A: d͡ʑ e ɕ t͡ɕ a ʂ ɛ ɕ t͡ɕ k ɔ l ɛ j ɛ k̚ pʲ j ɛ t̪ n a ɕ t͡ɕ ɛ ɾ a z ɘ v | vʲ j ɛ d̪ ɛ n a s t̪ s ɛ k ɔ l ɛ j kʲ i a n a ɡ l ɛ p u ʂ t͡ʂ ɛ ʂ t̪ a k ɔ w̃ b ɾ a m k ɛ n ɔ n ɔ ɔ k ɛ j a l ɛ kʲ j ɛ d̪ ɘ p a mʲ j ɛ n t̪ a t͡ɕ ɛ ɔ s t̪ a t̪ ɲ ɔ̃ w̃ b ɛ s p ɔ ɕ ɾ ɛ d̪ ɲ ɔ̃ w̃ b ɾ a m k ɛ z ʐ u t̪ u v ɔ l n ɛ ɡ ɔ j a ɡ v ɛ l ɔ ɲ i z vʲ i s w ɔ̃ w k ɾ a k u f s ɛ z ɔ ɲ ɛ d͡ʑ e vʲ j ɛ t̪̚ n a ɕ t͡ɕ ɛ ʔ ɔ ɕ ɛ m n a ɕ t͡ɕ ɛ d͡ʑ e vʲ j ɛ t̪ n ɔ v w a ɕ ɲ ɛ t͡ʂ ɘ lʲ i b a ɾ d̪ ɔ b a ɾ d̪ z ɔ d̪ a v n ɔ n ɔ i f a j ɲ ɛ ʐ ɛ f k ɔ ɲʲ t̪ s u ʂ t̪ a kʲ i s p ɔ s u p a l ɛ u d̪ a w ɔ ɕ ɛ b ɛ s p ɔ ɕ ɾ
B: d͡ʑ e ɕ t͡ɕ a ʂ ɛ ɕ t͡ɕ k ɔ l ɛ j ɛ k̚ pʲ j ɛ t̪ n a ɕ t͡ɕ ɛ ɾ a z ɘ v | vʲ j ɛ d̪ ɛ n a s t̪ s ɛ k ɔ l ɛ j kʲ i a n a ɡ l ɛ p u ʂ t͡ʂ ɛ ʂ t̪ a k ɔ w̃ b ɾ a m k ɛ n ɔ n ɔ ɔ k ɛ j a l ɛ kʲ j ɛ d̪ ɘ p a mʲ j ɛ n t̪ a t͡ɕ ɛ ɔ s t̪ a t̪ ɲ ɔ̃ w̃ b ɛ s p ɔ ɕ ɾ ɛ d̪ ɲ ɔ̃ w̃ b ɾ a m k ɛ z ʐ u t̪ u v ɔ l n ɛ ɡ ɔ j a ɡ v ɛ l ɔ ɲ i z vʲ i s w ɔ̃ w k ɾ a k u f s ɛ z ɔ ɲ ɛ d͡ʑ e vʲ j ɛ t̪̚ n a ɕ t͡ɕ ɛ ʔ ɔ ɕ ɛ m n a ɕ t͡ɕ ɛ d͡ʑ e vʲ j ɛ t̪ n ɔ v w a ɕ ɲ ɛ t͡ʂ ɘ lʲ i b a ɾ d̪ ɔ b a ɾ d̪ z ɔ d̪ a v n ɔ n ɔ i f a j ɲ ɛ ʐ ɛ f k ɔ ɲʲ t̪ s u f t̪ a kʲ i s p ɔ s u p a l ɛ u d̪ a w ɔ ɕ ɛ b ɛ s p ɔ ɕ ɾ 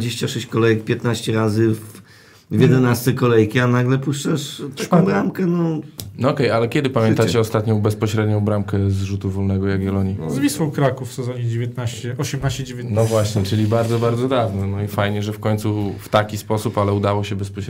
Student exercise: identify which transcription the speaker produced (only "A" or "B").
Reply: B